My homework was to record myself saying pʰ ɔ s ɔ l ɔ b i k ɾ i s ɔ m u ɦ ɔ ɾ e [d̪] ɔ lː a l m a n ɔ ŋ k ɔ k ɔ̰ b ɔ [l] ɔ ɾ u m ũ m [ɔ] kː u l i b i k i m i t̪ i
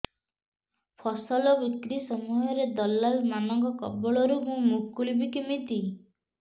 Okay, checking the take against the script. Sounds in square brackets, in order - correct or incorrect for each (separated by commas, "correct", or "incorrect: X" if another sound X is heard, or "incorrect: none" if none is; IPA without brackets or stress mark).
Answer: correct, incorrect: ɭ, incorrect: u